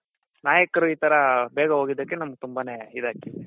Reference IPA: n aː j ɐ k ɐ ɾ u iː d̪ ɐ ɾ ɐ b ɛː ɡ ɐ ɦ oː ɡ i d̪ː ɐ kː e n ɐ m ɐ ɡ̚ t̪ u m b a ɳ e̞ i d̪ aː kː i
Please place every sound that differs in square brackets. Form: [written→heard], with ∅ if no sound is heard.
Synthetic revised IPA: n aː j ɐ k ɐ ɾ u iː [d̪→t̪] ɐ ɾ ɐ b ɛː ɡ ɐ ɦ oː ɡ i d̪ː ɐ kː e n ɐ m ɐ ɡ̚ t̪ u m b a [ɳ→n] e̞ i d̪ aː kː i